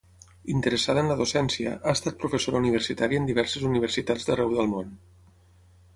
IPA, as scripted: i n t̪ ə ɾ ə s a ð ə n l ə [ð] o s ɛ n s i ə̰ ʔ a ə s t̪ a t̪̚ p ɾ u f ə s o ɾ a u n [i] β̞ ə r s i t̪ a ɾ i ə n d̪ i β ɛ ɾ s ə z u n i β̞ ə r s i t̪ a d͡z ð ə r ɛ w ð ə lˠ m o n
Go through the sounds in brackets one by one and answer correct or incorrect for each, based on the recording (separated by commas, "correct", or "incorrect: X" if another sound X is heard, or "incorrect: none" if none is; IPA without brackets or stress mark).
correct, correct